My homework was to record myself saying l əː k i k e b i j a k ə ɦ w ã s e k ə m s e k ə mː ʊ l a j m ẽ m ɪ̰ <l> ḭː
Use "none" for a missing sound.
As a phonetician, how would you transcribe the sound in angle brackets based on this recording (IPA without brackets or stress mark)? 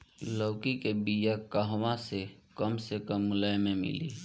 l